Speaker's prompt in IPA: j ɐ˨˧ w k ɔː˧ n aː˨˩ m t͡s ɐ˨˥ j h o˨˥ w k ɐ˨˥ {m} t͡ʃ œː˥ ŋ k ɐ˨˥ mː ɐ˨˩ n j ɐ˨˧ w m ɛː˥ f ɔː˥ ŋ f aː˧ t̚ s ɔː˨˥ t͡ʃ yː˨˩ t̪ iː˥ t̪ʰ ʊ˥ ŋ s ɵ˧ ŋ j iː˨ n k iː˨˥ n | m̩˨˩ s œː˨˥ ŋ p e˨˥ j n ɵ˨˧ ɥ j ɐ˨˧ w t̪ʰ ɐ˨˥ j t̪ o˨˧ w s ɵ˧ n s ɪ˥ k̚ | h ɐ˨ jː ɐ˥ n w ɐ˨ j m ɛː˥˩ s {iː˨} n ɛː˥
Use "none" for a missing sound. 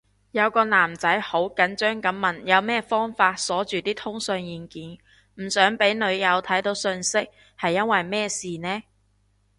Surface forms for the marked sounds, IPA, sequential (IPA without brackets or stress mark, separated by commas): n, iː˨